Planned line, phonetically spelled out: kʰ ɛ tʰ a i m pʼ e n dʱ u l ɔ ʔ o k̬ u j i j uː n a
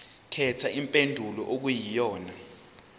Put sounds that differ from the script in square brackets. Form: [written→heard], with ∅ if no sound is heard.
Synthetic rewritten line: kʰ ɛ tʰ a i m pʼ e n dʱ u l ɔ ʔ o k̬ u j i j [uː→ɔː] n a